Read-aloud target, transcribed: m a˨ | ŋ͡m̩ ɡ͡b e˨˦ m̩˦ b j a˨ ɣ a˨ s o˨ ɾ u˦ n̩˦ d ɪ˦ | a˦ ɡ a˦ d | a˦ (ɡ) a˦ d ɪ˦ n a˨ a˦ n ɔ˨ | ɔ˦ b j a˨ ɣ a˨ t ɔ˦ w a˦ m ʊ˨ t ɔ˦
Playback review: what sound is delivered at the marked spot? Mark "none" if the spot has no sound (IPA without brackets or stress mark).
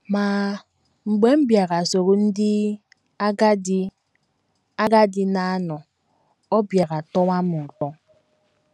ɡ